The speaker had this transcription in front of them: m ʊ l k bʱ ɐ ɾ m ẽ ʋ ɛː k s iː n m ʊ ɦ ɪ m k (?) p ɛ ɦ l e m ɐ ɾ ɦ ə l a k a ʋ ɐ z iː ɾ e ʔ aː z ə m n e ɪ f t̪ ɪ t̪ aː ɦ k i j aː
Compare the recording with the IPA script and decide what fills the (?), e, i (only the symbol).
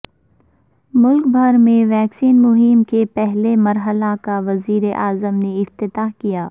e